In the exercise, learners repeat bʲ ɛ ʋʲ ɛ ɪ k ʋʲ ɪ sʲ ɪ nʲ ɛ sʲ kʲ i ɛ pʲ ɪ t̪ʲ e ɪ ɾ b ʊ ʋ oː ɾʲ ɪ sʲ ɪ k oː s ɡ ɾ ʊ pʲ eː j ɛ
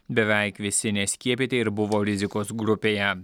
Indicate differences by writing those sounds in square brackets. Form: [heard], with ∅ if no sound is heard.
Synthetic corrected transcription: bʲ ɛ ʋʲ ɛ ɪ k ʋʲ ɪ sʲ ɪ nʲ ɛ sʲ kʲ i ɛ pʲ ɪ t̪ʲ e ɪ ɾ b ʊ ʋ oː ɾʲ ɪ [zʲ] ɪ k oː s ɡ ɾ ʊ pʲ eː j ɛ